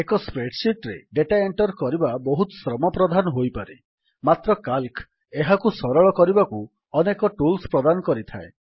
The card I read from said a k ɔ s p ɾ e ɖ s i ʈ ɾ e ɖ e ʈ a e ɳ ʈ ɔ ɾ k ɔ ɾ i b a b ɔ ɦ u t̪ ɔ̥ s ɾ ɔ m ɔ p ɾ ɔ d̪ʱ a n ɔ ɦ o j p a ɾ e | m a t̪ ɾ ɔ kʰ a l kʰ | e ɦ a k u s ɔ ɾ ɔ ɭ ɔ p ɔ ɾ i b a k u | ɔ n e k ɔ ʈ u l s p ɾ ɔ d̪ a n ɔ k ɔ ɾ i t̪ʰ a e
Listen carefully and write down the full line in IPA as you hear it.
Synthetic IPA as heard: e k ɔ s p ɾ e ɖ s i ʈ ɾ e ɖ e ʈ a e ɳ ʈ ɔ ɾ k ɔ ɾ i b a b ɔ ɦ u t̪ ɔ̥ s ɾ ɔ m ɔ p ɾ ɔ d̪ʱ a n ɔ ɦ o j p a ɾ e | m a t̪ ɾ ɔ k a l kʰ | e ɦ a k u s ɔ ɾ ɔ ɭ ɔ k ɔ ɾ i b a k u | ɔ n e k ɔ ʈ u l s p ɾ ɔ d̪ a n ɔ k ɔ ɾ i t̪ʰ a e

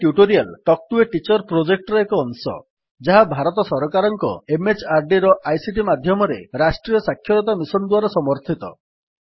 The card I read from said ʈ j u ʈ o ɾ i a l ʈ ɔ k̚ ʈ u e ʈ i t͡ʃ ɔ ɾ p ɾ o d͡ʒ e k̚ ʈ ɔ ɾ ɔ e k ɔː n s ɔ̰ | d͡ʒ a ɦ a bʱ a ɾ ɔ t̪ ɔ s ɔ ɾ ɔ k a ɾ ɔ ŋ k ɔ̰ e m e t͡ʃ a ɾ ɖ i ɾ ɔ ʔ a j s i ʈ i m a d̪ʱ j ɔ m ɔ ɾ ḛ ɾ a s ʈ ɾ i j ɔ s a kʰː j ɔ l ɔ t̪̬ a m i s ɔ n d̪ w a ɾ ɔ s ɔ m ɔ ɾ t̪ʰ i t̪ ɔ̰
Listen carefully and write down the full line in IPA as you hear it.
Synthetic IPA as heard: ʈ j u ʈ o ɾ i a l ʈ ɔ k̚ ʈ u e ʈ i t͡ʃ ɔ ɾ p ɾ o d͡ʒ e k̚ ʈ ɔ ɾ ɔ e k ɔː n s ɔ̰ | d͡ʒ a ɦ a bʱ a ɾ ɔ t̪ ɔ s ɔ ɾ ɔ k a ɾ ɔ ŋ k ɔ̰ e m e t͡ʃ a ɾ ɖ i ɾ ɔ ʔ a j s i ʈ i m a d̪ʱ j ɔ m ɔ ɾ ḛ ɾ a s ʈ ɾ i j ɔ s a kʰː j ɔ ɾ ɔ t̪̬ a m i s ɔ n d̪ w a ɾ ɔ s ɔ m ɔ ɾ t̪ʰ i t̪ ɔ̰

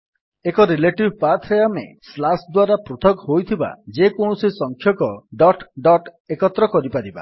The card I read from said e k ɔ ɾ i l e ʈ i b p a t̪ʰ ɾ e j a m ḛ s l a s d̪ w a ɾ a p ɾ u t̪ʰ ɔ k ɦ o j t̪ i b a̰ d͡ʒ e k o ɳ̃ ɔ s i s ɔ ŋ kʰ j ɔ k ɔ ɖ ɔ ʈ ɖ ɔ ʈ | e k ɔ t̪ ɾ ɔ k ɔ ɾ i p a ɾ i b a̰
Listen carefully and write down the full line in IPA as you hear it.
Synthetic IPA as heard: e k ɔ ɾ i l e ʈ i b p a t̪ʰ ɾ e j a m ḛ s l a s d̪ w a ɾ a p ɾ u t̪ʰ ɔ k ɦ o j t̪ʰ i b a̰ d͡ʒ e k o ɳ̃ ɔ s i s ɔ ŋ kʰ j ɔ k ɔ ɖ ɔ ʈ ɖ ɔ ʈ | e k ɔ t̪ ɾ ɔ k ɔ ɾ i p a ɾ i b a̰

